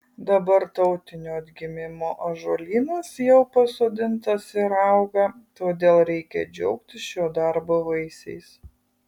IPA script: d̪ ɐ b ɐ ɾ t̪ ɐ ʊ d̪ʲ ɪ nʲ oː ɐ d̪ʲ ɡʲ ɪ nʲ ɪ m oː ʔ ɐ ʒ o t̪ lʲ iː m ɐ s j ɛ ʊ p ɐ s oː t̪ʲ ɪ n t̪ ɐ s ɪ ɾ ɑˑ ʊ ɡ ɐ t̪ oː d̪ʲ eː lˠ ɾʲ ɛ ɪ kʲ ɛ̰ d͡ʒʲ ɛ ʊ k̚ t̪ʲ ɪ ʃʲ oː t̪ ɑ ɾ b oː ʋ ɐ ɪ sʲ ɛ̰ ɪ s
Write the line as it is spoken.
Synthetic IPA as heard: d̪ ɐ b ɐ ɾ t̪ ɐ ʊ t̪ʲ ɪ nʲ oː ɐ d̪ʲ ɡʲ ɪ mʲ ɪ m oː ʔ ɐ ʒ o lʲ iː n ɐ s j ɛ ʊ p ɐ s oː d̪ʲ ɪ n t̪ ɐ s ɪ ɾ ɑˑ ʊ ɡ ɐ t̪ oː d̪ʲ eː lˠ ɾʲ ɛ ɪ kʲ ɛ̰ d͡ʒʲ ɛ ʊ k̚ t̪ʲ ɪ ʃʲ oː d̪ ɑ ɾ b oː ʋ ɐ ɪ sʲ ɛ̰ ɪ s